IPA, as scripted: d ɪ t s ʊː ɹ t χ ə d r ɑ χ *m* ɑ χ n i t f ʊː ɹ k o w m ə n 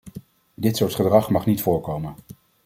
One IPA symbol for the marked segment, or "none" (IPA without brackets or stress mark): m